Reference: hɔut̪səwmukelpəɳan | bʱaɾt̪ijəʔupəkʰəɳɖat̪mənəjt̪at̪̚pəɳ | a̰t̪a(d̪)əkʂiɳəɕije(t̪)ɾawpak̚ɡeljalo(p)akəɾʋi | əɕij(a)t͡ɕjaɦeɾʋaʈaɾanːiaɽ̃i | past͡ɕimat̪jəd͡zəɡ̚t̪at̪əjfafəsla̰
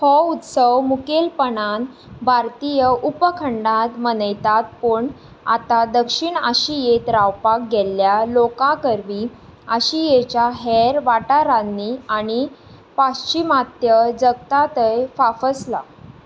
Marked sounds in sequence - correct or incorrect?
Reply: correct, correct, incorrect, incorrect

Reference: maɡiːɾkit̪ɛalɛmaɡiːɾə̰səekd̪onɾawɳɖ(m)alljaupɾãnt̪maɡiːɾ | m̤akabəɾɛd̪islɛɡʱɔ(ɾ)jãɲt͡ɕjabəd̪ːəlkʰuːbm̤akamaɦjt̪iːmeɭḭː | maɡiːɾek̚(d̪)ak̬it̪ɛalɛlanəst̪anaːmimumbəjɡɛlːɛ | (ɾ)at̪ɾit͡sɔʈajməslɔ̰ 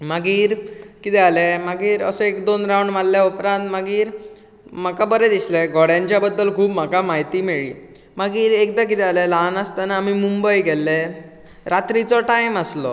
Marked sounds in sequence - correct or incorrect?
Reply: correct, incorrect, correct, correct

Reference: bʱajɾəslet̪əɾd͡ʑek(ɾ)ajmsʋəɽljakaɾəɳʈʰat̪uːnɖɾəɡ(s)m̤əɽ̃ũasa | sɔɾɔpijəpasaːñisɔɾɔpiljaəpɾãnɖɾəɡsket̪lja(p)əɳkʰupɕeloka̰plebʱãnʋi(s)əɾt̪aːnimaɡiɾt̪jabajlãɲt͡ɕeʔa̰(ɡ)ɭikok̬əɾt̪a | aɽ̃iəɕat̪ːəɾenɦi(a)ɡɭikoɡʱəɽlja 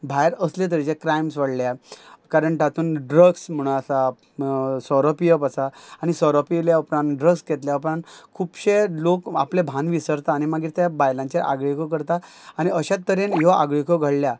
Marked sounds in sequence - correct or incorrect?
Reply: correct, correct, correct, correct, correct, correct

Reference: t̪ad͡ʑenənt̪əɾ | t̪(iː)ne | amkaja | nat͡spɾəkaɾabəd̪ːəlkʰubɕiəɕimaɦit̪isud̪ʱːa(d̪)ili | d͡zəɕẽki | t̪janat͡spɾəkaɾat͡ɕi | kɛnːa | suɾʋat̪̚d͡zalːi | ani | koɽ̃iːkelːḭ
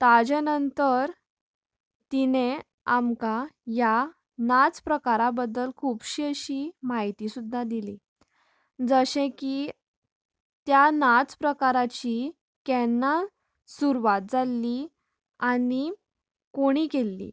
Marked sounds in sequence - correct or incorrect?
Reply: incorrect, correct

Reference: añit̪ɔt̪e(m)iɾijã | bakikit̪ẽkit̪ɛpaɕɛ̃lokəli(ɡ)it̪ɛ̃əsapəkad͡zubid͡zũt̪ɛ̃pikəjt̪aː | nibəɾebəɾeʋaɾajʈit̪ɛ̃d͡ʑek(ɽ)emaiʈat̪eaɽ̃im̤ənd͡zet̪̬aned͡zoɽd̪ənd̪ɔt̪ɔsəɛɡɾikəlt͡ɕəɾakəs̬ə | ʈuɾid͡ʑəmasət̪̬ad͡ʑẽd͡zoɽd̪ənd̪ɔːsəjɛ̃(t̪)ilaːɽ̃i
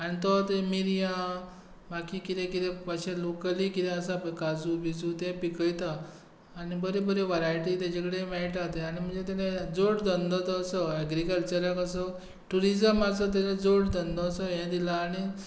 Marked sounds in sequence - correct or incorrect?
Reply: correct, incorrect, correct, incorrect

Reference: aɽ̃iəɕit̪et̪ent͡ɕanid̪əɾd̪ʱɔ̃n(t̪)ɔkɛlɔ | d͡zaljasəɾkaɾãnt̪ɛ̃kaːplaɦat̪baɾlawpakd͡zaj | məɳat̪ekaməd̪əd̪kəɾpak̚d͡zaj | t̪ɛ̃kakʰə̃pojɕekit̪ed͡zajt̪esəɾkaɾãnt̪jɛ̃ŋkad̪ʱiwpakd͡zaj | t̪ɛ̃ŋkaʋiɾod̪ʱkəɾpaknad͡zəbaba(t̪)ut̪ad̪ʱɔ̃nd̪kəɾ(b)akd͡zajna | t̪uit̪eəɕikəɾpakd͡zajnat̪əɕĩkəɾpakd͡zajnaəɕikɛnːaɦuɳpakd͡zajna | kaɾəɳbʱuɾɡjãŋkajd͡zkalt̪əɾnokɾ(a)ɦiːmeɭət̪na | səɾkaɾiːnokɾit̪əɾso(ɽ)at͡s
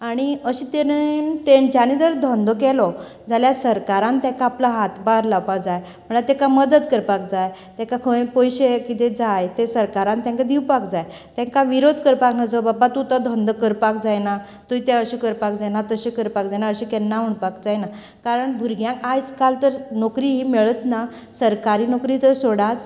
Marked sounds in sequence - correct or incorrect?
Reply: incorrect, correct, incorrect, incorrect, correct

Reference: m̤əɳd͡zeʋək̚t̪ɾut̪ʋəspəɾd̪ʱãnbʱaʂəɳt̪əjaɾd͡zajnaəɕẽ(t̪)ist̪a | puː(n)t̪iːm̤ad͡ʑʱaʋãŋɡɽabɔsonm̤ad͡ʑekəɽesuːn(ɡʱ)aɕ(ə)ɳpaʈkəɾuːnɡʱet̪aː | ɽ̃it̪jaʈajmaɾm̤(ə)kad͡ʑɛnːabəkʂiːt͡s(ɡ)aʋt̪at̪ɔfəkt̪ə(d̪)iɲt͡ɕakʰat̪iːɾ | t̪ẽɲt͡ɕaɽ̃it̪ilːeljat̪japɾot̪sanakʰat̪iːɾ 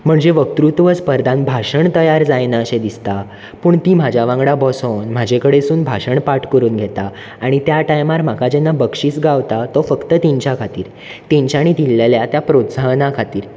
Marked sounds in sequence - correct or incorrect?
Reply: incorrect, incorrect, incorrect, correct, incorrect, correct, incorrect

